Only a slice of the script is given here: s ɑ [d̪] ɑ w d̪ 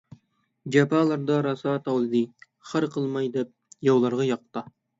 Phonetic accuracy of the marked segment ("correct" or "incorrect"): incorrect